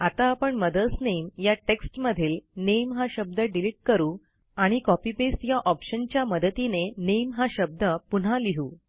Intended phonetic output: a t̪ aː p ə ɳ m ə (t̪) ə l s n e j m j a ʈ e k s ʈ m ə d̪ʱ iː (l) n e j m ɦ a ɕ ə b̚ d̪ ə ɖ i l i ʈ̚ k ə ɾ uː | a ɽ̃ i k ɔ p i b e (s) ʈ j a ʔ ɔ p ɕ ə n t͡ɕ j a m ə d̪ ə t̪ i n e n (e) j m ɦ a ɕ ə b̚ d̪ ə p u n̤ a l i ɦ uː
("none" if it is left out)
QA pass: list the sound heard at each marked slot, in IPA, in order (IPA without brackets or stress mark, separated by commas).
d̪, l, s, e